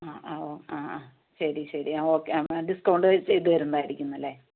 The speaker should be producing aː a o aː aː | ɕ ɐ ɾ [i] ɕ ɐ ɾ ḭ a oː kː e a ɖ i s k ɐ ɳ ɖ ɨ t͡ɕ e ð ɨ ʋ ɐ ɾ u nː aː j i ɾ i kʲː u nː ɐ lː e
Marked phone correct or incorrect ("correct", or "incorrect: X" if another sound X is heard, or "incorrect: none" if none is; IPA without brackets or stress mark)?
correct